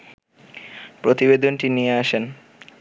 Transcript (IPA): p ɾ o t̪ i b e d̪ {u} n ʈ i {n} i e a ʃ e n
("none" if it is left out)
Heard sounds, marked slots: o, n

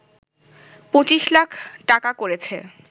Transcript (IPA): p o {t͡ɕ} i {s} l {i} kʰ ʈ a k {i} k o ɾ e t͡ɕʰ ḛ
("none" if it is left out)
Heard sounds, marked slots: t͡ɕ, ʃ, a, a

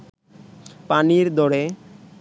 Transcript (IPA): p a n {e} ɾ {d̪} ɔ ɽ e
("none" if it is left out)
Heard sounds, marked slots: i, d̪

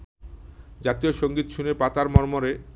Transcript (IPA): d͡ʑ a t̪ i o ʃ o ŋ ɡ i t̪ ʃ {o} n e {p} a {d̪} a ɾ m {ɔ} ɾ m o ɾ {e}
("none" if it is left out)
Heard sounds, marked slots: u, p, t̪, ɔ, e

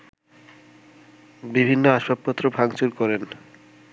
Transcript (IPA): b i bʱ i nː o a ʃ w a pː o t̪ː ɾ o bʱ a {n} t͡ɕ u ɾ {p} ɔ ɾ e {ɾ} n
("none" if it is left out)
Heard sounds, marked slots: ŋ, k, none

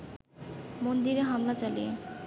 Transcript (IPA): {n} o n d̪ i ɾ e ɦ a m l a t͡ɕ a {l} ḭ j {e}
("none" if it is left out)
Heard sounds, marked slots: m, l, e

